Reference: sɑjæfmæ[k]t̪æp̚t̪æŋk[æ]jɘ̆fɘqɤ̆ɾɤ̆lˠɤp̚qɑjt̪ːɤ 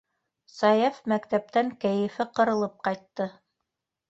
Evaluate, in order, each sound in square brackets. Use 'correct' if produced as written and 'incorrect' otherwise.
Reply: correct, correct

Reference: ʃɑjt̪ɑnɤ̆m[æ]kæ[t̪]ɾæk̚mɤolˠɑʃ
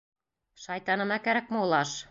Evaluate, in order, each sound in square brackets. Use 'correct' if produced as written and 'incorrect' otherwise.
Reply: correct, incorrect: none

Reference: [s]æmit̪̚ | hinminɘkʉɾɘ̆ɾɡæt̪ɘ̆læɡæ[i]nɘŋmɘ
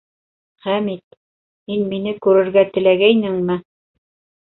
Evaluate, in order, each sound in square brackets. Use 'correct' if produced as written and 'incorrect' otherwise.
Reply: incorrect: χ, incorrect: j

